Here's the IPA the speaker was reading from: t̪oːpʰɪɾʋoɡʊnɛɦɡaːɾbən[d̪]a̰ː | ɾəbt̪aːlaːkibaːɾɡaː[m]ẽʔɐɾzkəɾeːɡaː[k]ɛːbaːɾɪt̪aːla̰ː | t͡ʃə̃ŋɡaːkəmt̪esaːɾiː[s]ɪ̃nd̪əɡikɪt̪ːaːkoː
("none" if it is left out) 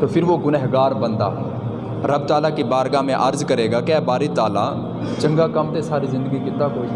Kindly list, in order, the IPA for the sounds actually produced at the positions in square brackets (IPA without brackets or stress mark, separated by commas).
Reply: d̪, m, k, z